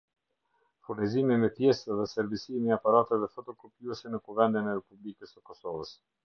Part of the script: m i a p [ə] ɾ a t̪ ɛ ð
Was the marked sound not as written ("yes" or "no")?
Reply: yes